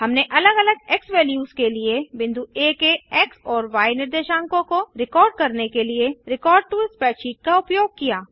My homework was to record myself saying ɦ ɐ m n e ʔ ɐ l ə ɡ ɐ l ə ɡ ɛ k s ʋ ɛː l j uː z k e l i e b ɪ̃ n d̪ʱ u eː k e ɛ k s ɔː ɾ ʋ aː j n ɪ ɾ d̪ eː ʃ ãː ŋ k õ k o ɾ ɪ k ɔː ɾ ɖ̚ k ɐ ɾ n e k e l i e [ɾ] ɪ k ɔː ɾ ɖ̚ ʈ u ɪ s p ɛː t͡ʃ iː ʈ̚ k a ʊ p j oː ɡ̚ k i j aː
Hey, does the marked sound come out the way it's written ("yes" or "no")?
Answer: yes